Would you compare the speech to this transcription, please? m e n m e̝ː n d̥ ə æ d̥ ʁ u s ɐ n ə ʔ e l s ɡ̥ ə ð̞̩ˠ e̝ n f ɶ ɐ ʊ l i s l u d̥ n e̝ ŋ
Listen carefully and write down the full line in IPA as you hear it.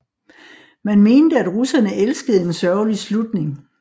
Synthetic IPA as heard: m æ n m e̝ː n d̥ ə æ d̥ ʁ u s ɐ n ə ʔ e l s ɡ̥ ə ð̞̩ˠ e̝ n s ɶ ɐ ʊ l i s l u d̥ n e̝ ŋ